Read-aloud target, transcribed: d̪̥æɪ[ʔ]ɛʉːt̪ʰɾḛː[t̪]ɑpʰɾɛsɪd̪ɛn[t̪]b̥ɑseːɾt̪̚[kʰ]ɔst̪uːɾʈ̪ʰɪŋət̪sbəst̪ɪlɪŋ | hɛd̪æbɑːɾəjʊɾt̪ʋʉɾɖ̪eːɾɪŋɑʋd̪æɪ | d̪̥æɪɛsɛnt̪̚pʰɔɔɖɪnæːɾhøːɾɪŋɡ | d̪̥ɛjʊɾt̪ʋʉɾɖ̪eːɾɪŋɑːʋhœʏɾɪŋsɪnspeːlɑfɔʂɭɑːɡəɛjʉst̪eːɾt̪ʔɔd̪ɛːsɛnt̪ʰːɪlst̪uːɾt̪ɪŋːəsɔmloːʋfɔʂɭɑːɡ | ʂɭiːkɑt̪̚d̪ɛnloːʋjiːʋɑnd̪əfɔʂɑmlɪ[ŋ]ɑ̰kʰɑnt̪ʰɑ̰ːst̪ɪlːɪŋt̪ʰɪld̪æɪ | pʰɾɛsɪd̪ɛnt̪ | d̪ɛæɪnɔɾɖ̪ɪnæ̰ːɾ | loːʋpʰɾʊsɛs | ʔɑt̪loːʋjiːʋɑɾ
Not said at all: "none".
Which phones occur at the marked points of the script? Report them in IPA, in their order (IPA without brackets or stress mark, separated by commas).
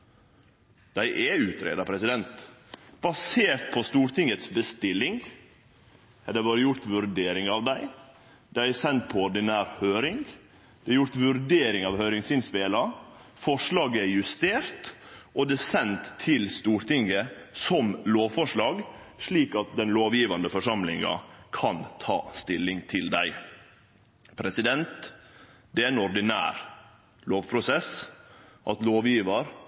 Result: ʔ, d̪, t̪, pʰ, ŋ